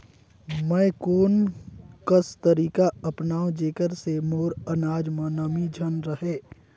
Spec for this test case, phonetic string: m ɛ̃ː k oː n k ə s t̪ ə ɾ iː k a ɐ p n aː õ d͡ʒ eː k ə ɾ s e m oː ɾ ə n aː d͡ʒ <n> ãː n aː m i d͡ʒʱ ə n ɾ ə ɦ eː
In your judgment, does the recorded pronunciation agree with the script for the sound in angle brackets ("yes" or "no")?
no